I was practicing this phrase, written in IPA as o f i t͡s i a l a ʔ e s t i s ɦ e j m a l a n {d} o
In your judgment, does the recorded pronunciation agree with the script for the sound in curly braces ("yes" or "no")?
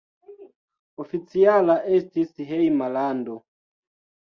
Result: yes